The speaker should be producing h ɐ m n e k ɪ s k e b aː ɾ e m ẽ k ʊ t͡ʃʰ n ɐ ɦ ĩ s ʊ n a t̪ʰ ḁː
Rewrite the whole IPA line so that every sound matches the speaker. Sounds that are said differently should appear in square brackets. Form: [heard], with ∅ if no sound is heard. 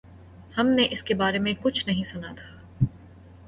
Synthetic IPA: h ɐ m n e [ʔ] ɪ s k e b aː ɾ e m ẽ k ʊ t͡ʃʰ n ɐ ɦ ĩ s ʊ n a t̪ʰ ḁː